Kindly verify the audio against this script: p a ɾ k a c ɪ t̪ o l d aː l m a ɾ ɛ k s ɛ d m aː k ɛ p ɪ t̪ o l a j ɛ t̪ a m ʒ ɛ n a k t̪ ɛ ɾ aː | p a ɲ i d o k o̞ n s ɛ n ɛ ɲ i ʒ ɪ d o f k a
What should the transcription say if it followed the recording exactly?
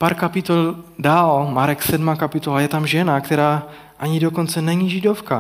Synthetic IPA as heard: p a ɾ k a p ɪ t̪ o l d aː l m a ɾ ɛ k s ɛ d m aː k a p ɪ t̪ o l a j ɛ t̪ a m ʒ ɛ n a k t̪ ɛ ɾ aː | ʔ a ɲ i d o k o̞ n t͡s ɛ n ɛ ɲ i ʒ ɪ d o f k a